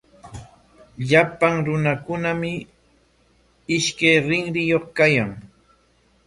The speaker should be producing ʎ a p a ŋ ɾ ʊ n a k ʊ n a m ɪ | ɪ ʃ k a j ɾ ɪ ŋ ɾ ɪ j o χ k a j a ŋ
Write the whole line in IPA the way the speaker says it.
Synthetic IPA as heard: ʎ a p a ŋ ɾ ʊ n a k ʊ n a m ɪ | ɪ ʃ k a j ɾ ɪ ŋ ɾ ɪ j o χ k a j a ŋ